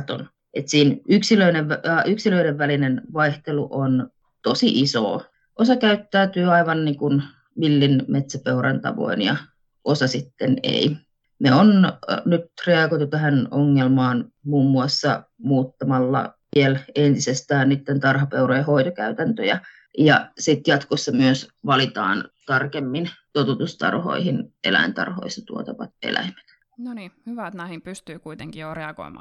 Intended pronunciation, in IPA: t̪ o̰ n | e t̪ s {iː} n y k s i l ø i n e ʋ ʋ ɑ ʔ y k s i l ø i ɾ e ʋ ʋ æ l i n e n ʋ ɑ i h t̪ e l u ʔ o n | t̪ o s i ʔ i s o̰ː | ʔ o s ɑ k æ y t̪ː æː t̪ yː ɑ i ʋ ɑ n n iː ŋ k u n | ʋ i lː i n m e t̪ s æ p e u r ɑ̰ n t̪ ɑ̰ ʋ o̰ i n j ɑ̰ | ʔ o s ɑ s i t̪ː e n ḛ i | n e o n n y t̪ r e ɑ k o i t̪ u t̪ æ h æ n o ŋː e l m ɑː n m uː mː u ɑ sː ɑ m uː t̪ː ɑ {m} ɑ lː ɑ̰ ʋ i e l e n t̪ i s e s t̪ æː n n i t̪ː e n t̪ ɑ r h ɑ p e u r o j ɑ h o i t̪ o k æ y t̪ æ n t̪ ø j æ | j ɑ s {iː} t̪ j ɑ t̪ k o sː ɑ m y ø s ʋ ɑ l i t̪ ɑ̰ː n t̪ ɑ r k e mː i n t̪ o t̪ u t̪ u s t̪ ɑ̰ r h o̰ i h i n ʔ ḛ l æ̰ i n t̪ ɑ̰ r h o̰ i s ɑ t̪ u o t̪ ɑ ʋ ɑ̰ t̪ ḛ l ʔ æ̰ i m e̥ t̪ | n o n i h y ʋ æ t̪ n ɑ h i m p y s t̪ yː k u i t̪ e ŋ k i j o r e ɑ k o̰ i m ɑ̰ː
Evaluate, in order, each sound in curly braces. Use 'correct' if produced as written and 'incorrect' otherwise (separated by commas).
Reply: correct, correct, incorrect